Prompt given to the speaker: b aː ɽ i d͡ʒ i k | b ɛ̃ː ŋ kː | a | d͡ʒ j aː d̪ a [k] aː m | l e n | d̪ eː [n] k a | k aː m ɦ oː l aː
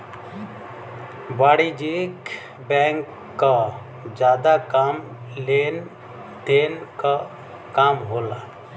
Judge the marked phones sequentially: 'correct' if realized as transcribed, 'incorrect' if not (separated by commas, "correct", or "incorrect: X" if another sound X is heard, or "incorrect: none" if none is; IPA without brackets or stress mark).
correct, correct